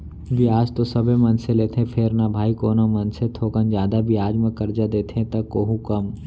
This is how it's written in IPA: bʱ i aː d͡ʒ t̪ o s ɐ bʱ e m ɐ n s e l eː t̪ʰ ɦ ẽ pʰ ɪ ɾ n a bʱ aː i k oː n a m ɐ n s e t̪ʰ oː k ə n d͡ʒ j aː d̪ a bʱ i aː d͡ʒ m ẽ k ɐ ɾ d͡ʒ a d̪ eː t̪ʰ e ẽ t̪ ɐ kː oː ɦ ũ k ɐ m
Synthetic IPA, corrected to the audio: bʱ i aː d͡ʒ t̪ o s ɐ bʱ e m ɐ n s e l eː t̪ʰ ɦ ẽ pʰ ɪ ɾ n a bʱ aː i k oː n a m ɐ n s e t̪ʰ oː k ə n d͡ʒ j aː d̪ a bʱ i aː d͡ʒ m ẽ k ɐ ɾ d͡ʒ a d̪ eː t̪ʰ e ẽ t̪ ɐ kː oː ɦ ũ k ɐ m